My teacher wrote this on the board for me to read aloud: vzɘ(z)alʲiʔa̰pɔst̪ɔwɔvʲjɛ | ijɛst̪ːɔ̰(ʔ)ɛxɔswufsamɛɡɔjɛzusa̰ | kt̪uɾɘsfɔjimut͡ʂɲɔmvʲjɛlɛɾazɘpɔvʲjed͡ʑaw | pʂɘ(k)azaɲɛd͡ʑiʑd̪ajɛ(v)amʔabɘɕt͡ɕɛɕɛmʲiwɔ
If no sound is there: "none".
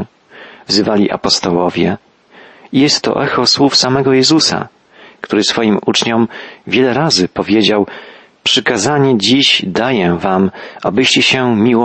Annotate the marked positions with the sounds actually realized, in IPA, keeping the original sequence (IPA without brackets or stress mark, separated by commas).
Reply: v, ʔ, k, v